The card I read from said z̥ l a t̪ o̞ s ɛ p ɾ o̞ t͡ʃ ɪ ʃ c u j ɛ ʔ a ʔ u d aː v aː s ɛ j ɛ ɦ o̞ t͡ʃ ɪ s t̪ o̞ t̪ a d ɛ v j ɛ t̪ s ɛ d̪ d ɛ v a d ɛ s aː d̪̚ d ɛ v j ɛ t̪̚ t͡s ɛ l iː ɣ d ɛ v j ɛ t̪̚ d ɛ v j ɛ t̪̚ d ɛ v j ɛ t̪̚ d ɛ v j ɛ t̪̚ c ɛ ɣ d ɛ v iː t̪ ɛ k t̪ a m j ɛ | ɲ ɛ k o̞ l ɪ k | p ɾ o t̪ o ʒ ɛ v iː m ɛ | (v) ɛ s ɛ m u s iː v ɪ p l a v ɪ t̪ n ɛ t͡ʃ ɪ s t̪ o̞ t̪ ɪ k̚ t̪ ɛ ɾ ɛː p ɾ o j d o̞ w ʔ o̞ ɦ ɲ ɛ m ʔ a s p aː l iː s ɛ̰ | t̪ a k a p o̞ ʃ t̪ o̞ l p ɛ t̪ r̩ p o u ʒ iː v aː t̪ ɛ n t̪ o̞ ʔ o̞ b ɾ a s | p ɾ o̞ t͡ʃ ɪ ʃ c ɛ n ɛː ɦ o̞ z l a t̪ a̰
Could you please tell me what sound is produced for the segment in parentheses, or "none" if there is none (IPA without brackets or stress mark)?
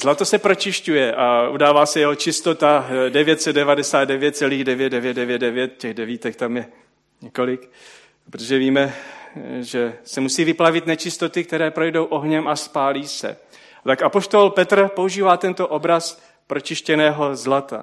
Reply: ʒ